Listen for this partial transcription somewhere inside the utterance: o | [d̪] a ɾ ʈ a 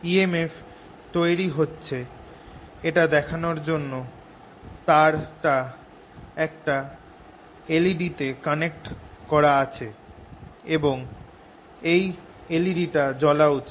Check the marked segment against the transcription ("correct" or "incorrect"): incorrect